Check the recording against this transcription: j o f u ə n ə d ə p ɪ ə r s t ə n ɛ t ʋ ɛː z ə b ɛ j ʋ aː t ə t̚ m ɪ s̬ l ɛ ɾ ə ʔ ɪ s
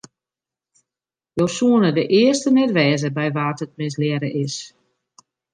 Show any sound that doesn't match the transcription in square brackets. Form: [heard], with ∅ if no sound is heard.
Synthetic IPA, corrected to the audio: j o [s] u ə n ə d ə [ʔ] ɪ ə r s t ə n ɛ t ʋ ɛː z ə b ɛ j ʋ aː t ə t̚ m ɪ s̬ l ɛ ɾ ə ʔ ɪ s